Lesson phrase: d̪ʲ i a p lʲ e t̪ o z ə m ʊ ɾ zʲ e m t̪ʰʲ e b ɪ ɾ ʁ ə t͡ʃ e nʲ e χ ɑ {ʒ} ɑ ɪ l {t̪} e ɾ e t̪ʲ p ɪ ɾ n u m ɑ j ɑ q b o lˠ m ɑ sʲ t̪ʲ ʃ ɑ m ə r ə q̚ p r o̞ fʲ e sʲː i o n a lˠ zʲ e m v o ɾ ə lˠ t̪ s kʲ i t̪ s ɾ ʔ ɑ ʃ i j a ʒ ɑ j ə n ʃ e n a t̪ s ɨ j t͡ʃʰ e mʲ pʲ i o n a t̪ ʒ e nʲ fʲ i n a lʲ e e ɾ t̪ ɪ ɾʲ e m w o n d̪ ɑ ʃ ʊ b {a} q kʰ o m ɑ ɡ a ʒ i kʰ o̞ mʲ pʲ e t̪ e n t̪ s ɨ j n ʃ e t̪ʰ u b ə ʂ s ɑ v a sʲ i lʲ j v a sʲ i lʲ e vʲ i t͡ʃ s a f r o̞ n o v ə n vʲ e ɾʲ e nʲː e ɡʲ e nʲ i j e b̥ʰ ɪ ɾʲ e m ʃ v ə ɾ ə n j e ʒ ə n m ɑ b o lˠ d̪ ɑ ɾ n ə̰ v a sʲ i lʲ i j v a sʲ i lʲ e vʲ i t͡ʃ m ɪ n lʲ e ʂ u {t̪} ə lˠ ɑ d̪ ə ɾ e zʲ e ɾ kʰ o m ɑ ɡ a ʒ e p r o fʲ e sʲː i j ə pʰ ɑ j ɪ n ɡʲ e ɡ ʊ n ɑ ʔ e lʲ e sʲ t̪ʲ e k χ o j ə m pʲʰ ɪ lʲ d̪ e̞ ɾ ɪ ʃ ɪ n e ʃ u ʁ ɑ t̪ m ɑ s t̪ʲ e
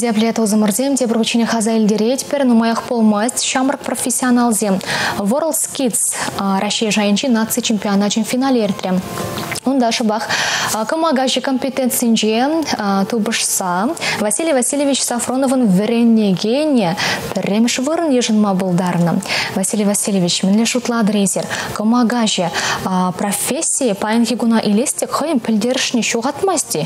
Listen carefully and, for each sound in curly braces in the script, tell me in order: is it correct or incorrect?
incorrect: z, incorrect: d̪, incorrect: ɑ, correct

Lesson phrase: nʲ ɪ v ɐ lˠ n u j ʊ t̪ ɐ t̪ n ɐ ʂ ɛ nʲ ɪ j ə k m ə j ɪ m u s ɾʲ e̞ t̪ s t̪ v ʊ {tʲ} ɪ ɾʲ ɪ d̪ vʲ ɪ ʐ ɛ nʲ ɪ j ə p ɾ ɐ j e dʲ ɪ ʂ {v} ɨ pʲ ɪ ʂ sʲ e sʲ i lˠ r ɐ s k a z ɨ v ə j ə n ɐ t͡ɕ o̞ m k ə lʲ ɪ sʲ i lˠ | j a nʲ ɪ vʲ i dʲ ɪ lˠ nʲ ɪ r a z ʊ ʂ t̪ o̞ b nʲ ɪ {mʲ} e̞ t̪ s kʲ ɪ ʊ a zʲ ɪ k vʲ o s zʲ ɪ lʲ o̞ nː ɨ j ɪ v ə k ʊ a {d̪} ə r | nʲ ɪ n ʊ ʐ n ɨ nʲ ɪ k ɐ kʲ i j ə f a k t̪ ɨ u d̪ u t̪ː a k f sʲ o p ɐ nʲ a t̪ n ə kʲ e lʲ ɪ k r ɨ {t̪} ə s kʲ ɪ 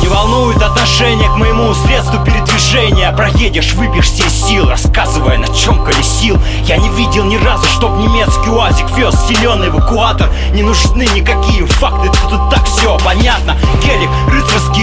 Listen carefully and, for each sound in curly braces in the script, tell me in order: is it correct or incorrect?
incorrect: pʲ, correct, correct, incorrect: t̪, correct

